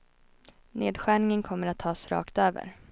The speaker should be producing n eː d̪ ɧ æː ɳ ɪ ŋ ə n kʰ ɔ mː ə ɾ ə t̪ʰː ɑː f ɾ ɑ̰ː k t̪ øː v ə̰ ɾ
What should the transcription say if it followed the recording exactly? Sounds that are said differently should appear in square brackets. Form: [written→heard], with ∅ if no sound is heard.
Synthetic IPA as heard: n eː d̪ ɧ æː ɳ ɪ ŋ ə n kʰ ɔ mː ə ɾ [ə→a] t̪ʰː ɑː [f→s] ɾ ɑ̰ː k t̪ øː v ə̰ ɾ